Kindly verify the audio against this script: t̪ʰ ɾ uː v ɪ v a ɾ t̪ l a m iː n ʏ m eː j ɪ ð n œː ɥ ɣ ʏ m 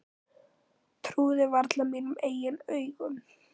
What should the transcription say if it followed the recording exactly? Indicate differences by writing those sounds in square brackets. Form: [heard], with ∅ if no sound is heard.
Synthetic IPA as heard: t̪ʰ ɾ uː [ð] ɪ v a ɾ t̪ l a m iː n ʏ m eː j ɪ [∅] n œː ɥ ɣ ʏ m